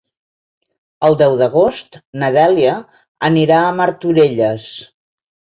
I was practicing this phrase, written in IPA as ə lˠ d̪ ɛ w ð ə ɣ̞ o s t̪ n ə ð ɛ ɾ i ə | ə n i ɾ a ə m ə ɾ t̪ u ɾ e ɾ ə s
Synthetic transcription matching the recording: ə lˠ d̪ ɛ w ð ə ɣ̞ o s t̪ n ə ð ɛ l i ə | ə n i ɾ a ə m ə ɾ t̪ u ɾ e ʎ ə s